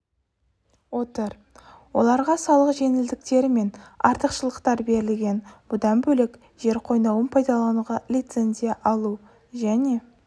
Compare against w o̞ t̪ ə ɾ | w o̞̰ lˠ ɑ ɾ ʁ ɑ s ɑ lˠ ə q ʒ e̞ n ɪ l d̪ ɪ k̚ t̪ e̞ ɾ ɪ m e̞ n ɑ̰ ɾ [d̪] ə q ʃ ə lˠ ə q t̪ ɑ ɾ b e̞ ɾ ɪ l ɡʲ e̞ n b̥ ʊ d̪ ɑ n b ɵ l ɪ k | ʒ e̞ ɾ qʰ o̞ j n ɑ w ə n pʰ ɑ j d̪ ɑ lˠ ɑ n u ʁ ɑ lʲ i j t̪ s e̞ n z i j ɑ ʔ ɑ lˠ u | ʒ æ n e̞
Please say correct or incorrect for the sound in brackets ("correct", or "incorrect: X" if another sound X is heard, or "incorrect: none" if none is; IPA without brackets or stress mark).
incorrect: t̪